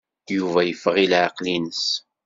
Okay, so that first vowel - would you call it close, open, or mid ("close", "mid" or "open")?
close